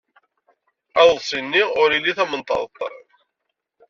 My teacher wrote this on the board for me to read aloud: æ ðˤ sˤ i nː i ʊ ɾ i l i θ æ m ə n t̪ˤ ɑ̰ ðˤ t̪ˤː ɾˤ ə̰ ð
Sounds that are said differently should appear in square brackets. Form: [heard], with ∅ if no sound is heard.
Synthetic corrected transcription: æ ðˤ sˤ i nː i ʊ ɾ i l i θ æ m ə n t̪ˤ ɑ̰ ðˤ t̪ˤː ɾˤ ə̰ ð

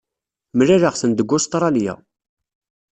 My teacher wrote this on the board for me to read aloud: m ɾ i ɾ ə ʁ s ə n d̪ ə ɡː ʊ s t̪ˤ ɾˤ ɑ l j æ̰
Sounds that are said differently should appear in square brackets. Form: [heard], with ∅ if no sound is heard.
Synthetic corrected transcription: m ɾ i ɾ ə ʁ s ə n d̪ ə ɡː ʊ s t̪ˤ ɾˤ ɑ l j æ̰

